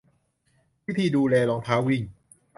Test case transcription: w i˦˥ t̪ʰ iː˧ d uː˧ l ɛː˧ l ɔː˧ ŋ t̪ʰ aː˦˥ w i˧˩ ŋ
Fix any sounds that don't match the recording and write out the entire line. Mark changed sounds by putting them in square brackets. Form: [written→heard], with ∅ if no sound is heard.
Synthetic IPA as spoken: w i˦˥ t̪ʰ iː˧ d uː˧ l ɛː˧ l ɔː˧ ŋ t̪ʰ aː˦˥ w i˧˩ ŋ